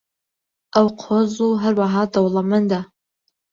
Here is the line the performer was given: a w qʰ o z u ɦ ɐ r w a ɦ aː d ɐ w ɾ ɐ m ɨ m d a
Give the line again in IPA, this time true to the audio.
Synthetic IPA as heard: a w qʰ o z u ɦ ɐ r w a ɦ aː d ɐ w l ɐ m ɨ n d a